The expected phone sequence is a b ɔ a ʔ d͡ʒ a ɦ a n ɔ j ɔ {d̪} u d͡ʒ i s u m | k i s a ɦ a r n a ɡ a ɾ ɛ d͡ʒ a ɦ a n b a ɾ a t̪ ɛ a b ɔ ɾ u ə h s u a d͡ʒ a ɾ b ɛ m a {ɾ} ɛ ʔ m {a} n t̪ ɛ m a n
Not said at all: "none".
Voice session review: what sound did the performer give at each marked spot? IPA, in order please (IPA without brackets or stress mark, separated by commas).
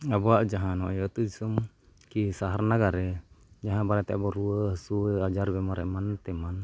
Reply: t̪, ɾ, a